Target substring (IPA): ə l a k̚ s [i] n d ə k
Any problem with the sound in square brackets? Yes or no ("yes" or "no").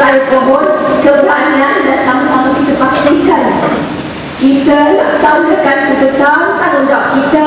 yes